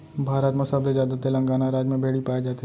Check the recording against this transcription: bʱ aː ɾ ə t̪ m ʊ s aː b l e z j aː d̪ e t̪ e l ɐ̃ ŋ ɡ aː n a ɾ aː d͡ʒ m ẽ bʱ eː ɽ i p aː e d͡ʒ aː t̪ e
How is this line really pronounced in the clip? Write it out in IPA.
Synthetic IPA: bʱ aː ɾ ə t̪ m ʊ s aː b l e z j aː d̪ a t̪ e l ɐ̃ ŋ ɡ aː n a ɾ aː d͡ʒ m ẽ bʱ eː ɽ i p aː e d͡ʒ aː t̪ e